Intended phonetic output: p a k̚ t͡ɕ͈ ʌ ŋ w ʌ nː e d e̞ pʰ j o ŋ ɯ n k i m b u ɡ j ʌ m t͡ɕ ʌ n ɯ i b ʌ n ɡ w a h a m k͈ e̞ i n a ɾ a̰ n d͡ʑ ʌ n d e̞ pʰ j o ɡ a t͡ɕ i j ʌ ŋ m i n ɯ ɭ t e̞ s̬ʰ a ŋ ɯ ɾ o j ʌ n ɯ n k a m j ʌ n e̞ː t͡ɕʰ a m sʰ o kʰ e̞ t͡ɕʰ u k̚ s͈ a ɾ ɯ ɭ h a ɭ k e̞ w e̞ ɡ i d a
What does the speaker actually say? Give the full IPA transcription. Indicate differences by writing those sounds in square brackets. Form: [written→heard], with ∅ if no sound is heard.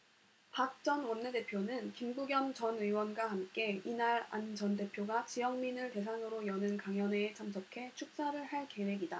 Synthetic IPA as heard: p a k̚ t͡ɕ͈ ʌ [ŋ→n] w ʌ nː e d e̞ pʰ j o [ŋ→n] ɯ n k i m b u ɡ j ʌ m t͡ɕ ʌ n ɯ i [b→w] ʌ n ɡ w a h a m k͈ e̞ i n a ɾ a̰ n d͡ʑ ʌ n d e̞ pʰ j o ɡ a t͡ɕ i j ʌ ŋ m i n ɯ ɭ t e̞ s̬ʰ a ŋ ɯ ɾ o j ʌ n ɯ n k a [m→ŋ] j ʌ n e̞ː t͡ɕʰ a m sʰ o kʰ e̞ t͡ɕʰ u k̚ s͈ a ɾ ɯ ɭ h a ɭ k e̞ w e̞ ɡ i d a